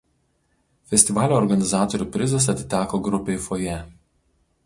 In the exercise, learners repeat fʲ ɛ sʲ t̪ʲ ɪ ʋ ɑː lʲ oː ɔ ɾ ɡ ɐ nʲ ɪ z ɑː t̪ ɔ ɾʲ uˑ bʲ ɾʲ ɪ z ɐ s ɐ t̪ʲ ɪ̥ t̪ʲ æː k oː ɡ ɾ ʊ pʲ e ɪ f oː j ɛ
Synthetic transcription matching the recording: fʲ ɛ sʲ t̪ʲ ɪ ʋ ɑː lʲ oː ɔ ɾ ɡ ɐ nʲ ɪ z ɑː t̪ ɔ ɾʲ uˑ pʲ ɾʲ ɪ z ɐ s ɐ t̪ʲ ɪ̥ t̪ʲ æː k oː ɡ ɾ ʊ pʲ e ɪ f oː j ɛ

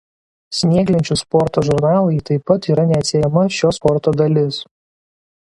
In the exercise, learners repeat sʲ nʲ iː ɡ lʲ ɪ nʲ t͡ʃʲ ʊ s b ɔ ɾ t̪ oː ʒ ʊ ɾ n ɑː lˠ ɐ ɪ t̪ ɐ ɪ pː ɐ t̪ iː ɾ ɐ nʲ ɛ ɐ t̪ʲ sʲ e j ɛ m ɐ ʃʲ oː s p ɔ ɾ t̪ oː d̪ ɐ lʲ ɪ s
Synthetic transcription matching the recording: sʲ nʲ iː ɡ lʲ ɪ nʲ t͡ʃʲ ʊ s p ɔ ɾ t̪ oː ʒ ʊ ɾ n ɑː lˠ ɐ ɪ t̪ ɐ ɪ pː ɐ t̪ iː ɾ ɐ nʲ ɛ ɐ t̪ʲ sʲ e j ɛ m ɐ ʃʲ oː s p ɔ ɾ t̪ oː d̪ ɐ lʲ ɪ s

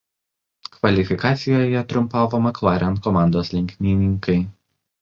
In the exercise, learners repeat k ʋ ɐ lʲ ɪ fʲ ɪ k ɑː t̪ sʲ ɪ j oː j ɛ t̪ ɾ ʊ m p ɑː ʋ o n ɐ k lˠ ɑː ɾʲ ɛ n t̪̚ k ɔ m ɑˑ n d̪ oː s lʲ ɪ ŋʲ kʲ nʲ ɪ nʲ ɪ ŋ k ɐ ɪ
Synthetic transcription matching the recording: k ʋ ɐ lʲ ɪ fʲ ɪ k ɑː t̪ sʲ ɪ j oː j ɛ t̪ ɾ ʊ m p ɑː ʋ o m ɐ k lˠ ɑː ɾʲ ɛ n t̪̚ k ɔ m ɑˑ n d̪ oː s lʲ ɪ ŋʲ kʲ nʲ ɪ nʲ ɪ ŋ k ɐ ɪ

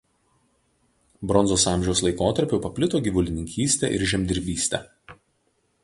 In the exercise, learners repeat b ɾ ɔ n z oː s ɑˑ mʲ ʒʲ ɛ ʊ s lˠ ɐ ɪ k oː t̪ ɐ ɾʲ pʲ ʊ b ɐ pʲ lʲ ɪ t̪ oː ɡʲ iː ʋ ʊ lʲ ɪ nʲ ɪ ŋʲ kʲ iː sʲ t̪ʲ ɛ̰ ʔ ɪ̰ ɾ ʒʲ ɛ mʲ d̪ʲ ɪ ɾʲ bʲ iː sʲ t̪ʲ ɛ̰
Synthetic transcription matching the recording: b ɾ ɔ n z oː s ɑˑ mʲ ʒʲ ɛ ʊ s lˠ ɐ ɪ k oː t̪ ɐ ɾʲ pʲ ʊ p ɐ pʲ lʲ ɪ t̪ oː ɡʲ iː ʋ ʊ lʲ ɪ nʲ ɪ ŋʲ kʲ iː sʲ t̪ʲ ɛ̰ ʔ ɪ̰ ɾ ʒʲ ɛ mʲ d̪ʲ ɪ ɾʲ bʲ iː sʲ t̪ʲ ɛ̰

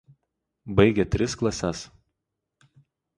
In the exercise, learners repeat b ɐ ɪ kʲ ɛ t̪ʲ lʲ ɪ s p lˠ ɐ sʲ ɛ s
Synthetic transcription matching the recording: b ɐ ɪ ɡʲ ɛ t̪ʲ ɾʲ ɪ s k lˠ ɐ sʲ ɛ s

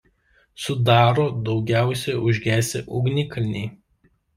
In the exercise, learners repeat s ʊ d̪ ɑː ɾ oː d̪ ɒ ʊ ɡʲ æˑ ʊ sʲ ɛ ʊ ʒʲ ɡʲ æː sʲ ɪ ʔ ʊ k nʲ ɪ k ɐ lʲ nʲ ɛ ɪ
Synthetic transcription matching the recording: s ʊ d̪ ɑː ɾ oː d̪ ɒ ʊ ɡʲ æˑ ʊ sʲ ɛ ʊ ʒʲ ɡʲ æː sʲ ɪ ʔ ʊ ɡ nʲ ɪ k ɐ lʲ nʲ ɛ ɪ

